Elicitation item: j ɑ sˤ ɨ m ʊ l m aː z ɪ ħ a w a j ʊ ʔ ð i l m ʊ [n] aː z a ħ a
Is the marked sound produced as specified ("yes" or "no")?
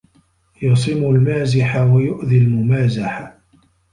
no